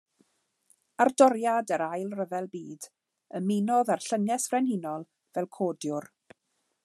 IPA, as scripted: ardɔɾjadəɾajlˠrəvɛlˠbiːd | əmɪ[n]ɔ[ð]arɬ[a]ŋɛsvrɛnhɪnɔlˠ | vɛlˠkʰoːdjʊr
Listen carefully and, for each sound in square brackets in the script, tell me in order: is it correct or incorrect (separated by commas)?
correct, correct, incorrect